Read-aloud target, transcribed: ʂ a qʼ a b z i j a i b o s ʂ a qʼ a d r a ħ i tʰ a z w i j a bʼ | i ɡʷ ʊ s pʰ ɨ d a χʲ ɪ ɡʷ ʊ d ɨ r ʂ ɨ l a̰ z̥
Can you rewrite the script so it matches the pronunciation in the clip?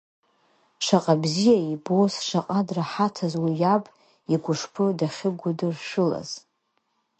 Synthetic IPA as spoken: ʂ a qʼ a b z i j a i b o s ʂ a qʼ a d r a ħ a tʰ a z w i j a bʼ | i ɡʷ ʊ ʂ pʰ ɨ d a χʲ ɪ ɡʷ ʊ d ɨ r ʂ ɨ l a̰ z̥